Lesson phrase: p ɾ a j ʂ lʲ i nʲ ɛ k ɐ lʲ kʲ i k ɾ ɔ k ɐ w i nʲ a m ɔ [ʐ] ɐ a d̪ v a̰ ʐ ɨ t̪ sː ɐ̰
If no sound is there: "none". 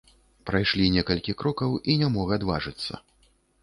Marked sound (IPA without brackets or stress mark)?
ɣ